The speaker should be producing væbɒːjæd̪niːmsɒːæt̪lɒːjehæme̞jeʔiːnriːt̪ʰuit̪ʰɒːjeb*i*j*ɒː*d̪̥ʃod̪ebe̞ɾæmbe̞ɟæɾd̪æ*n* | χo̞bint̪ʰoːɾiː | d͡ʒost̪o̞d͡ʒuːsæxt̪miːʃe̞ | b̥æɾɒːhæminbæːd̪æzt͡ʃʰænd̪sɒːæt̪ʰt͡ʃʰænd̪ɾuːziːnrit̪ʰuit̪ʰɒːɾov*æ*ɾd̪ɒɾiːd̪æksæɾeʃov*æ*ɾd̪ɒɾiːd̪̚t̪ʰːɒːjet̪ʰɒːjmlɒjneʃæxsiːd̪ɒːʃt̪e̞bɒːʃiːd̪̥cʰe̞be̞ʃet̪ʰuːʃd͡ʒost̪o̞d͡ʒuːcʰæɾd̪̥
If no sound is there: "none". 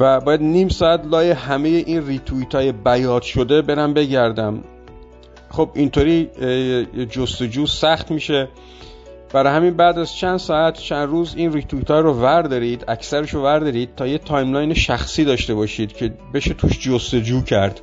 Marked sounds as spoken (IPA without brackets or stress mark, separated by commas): æ, ɒː, m, æ, æ